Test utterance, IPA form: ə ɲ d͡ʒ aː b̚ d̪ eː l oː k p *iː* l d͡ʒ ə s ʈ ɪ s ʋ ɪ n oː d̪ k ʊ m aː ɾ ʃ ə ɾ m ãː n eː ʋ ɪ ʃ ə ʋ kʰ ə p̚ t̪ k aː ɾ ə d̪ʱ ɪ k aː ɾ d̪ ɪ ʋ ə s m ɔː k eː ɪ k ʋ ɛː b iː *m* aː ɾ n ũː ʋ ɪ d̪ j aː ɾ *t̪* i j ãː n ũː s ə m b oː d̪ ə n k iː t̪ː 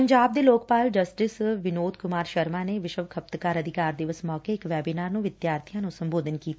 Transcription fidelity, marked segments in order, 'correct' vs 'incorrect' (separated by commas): incorrect, incorrect, incorrect